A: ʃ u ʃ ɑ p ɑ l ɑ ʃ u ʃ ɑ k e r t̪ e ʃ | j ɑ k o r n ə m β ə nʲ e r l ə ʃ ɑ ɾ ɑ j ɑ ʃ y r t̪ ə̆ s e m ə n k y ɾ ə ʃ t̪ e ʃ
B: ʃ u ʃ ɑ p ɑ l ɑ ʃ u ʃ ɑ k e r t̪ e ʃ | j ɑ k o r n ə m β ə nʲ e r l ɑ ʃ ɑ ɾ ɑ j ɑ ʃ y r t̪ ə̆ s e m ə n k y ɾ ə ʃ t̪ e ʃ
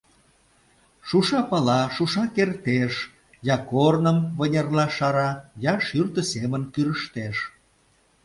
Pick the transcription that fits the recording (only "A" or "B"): B